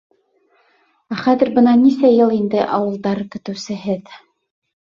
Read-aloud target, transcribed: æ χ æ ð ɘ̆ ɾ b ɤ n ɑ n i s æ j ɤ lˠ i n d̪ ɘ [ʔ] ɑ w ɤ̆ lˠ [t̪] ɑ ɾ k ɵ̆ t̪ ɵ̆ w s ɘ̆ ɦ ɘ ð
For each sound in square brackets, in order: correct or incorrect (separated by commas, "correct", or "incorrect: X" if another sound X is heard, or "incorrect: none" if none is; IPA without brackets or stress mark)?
correct, incorrect: d̪